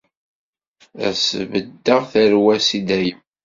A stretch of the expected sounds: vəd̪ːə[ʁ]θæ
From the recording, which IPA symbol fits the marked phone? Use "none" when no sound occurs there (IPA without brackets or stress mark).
ʁ